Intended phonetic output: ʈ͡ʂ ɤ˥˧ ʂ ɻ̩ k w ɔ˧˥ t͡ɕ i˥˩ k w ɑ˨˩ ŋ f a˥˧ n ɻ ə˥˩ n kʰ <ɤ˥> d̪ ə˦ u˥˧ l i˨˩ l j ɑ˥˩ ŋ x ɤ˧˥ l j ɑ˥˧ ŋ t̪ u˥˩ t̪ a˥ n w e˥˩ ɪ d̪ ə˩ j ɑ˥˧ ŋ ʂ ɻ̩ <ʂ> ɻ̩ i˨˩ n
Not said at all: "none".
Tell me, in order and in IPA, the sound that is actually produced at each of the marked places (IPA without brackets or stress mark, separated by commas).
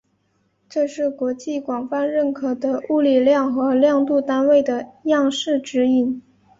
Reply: ɤ˨˩, ʈ͡ʂ